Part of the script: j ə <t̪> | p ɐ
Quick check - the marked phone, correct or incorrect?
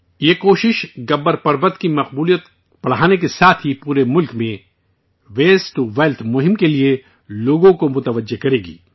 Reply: correct